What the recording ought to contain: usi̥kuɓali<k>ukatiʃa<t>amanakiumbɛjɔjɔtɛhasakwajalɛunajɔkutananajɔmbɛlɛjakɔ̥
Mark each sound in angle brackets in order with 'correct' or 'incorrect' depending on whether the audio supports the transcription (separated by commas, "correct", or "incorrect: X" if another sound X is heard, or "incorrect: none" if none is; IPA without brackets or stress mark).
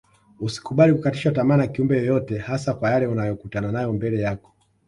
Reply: correct, correct